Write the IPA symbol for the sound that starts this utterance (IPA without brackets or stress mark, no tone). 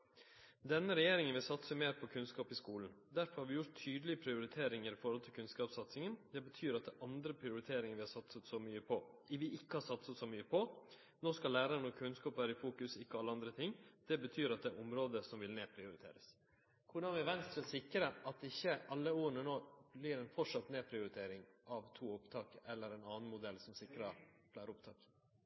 d̪